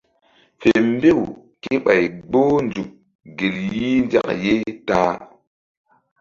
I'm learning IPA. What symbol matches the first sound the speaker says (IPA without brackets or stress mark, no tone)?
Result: f